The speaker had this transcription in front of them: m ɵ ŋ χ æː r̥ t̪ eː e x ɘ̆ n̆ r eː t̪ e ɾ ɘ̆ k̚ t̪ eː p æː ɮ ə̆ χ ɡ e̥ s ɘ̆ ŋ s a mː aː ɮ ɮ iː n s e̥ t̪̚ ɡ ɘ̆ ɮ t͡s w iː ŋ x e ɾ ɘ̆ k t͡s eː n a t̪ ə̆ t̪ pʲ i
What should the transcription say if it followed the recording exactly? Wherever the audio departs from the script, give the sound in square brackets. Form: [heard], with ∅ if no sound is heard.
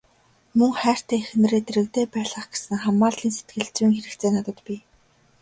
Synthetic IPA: m ɵ ŋ χ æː r̥ t̪ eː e x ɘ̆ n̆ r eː t̪ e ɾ ɘ̆ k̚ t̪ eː p æː ɮ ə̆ χ ɡ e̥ s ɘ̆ ŋ [χ] a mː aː ɮ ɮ iː n s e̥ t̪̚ ɡ ɘ̆ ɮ t͡s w iː ŋ x e ɾ ɘ̆ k t͡s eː n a t̪ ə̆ t̪ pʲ i